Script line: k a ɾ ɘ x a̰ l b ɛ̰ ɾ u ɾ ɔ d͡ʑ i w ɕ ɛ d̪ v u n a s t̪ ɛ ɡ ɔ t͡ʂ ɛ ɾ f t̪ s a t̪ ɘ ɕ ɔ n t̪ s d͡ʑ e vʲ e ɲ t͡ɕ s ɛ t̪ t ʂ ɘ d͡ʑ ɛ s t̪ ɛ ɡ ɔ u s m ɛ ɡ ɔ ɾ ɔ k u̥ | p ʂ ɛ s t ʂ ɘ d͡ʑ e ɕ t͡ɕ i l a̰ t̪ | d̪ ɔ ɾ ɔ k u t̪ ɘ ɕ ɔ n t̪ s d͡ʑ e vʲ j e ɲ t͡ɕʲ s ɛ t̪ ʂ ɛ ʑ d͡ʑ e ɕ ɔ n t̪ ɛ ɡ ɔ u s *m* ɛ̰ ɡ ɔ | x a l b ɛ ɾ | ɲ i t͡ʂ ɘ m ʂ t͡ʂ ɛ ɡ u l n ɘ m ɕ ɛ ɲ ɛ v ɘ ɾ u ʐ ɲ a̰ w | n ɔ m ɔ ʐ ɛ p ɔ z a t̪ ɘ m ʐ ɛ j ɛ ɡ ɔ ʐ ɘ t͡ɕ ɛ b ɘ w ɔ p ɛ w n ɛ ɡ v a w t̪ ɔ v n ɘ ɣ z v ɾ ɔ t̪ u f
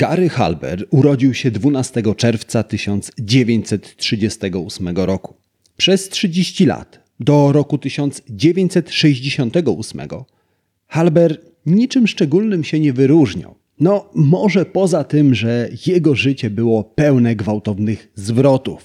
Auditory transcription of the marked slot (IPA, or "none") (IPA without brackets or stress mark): m